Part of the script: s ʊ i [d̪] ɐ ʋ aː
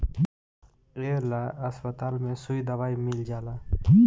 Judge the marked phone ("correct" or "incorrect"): correct